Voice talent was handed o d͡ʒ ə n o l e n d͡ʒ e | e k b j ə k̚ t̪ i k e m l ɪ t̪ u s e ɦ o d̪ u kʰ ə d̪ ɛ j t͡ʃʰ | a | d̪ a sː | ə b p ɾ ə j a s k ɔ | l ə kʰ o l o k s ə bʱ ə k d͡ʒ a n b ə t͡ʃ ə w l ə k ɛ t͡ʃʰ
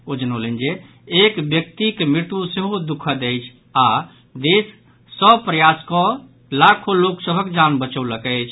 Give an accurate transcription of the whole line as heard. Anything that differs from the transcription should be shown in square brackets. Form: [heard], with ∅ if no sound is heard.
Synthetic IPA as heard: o d͡ʒ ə n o l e n d͡ʒ e | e k b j ə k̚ t̪ i k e m [ɾ] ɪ t̪ u s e ɦ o d̪ u kʰ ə d̪ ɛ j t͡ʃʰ | a | d̪ [e] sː | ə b p ɾ ə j a s k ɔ | l [a] kʰ o l o k s ə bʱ ə k d͡ʒ a n b ə t͡ʃ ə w l ə k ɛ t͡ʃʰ

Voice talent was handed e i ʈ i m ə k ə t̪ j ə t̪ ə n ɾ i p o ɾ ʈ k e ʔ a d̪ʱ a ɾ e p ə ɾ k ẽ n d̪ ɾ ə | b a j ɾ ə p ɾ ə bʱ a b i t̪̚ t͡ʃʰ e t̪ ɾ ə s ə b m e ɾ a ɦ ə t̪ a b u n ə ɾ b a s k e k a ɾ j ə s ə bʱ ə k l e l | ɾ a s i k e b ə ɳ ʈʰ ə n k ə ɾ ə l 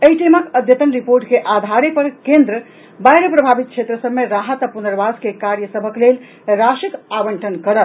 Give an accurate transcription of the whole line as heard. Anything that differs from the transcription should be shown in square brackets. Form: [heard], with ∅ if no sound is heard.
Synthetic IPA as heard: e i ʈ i m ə k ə [d̪] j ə t̪ ə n ɾ i p o ɾ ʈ k e ʔ a d̪ʱ a ɾ e p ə ɾ k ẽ n d̪ ɾ ə | b a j ɾ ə p ɾ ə bʱ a b i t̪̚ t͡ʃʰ e t̪ ɾ ə s ə b m e ɾ a ɦ ə t̪ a [p] u n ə ɾ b a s k e k a ɾ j ə s ə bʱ ə k l e l | ɾ a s i k [a] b ə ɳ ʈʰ ə n k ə ɾ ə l

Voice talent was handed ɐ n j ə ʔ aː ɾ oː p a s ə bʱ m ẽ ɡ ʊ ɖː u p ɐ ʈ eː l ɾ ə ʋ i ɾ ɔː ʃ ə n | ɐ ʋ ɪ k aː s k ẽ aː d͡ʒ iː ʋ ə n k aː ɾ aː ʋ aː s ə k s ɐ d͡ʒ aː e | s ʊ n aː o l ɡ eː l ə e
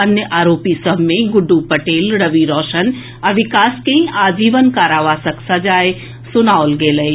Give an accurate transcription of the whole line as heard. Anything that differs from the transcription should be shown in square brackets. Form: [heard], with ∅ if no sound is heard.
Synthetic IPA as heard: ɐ n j ə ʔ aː ɾ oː p [i] s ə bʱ m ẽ ɡ ʊ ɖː u p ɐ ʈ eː l ɾ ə ʋ i ɾ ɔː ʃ ə n | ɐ ʋ ɪ k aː s k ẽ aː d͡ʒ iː ʋ ə n k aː ɾ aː ʋ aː s ə k s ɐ d͡ʒ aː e | s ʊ n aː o l ɡ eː l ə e

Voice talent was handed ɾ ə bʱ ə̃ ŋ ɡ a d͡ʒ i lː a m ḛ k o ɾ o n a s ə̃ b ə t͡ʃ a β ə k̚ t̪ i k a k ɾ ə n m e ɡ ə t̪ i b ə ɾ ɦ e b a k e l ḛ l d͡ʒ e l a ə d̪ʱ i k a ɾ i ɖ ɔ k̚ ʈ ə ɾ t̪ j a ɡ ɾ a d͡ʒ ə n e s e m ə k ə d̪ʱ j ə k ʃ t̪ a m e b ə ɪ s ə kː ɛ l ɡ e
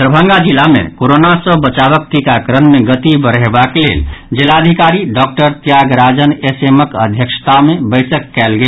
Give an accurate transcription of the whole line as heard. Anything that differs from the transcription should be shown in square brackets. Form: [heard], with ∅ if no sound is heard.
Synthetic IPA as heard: ɾ ə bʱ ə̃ ŋ ɡ a d͡ʒ i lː a m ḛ k o ɾ o n a s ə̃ b ə t͡ʃ a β ə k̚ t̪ i k a k ɾ ə n m e ɡ ə t̪ i b ə ɾ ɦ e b a k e l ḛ l d͡ʒ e l a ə d̪ʱ i k a ɾ i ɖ ɔ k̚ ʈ ə ɾ t̪ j a ɡ ɾ a d͡ʒ ə n e s e m ə k ə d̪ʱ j ə k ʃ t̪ a m e b ə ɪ s ə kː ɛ l ɡ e

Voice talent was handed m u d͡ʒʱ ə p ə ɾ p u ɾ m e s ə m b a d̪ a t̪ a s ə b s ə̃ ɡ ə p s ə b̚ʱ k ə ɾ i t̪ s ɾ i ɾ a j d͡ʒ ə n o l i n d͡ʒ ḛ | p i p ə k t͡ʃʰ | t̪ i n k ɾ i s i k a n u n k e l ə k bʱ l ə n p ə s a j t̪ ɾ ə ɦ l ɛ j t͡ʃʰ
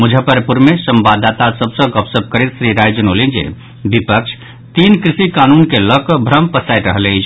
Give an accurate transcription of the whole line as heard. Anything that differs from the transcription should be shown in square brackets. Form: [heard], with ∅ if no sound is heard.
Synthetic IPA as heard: m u d͡ʒʱ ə p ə ɾ p u ɾ m e s ə m b a d̪ a t̪ a s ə b s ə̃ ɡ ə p s ə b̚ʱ k ə ɾ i t̪ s ɾ i ɾ a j d͡ʒ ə n o l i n d͡ʒ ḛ | [b] i p ə k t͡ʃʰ | t̪ i n k ɾ i s i k a n u n k e l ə k bʱ [ɾ] ə [m] p ə s a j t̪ ɾ ə ɦ l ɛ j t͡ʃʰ

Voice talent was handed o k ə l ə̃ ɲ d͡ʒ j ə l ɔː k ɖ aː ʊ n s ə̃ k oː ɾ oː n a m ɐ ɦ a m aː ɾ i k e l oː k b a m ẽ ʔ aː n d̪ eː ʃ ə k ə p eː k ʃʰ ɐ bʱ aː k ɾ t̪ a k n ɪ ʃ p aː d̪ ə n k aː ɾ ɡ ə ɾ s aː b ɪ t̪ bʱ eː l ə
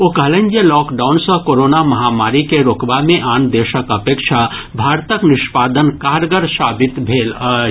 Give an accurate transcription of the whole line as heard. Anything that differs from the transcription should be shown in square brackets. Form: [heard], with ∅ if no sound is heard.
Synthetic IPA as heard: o k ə l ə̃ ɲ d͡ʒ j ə l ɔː k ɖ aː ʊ n s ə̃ k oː ɾ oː n a m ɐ ɦ a m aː ɾ i k e [ɾ] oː k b a m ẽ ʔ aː n d̪ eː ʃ ə k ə p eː k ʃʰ [a] bʱ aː [∅] ɾ t̪ [ə] k n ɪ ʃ p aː d̪ ə n k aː ɾ ɡ ə ɾ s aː b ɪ t̪ bʱ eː l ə

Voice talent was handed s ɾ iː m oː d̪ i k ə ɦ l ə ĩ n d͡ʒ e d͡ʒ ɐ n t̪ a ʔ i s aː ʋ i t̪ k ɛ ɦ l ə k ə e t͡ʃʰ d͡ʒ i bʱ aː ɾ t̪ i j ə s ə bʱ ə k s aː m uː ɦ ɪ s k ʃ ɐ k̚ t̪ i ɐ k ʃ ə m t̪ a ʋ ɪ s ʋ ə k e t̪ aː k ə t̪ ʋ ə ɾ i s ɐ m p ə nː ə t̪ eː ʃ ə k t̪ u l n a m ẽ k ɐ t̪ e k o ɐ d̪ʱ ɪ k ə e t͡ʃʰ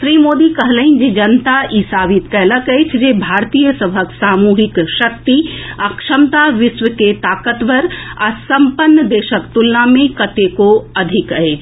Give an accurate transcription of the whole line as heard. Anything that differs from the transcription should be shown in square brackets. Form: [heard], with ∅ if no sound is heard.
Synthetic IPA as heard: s ɾ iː m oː d̪ i k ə ɦ l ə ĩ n d͡ʒ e d͡ʒ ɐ n t̪ a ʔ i s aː ʋ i t̪ k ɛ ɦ l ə k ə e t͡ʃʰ d͡ʒ [e] bʱ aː ɾ t̪ i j ə s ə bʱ ə k s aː m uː ɦ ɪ [∅] k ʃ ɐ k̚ t̪ i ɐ k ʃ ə m t̪ a ʋ ɪ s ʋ ə k e t̪ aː k ə t̪ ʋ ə ɾ [a] s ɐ m p ə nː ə [d̪] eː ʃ ə k t̪ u l n a m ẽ k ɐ t̪ e k o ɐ d̪ʱ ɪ k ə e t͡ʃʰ

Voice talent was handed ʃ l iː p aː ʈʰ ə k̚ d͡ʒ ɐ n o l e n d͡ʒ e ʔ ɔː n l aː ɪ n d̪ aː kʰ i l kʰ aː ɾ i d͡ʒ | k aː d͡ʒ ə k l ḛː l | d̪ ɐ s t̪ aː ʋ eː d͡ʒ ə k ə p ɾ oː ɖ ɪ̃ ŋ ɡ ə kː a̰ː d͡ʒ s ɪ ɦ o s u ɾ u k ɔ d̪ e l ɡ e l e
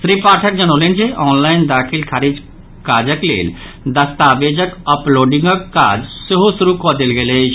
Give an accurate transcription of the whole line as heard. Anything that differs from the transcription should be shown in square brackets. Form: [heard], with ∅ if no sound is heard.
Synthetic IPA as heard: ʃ [ɾ] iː p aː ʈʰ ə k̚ d͡ʒ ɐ n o l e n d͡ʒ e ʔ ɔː n l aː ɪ n d̪ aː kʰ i l kʰ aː ɾ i d͡ʒ | k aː d͡ʒ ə k l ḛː l | d̪ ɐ s t̪ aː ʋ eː d͡ʒ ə k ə p [l] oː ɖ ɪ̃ ŋ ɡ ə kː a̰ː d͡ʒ s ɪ ɦ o s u ɾ u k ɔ d̪ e l ɡ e l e

